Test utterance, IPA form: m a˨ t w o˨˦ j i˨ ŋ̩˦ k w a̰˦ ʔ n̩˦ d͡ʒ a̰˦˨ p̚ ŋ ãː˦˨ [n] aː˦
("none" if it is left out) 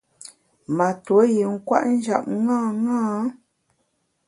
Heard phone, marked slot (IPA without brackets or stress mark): ŋ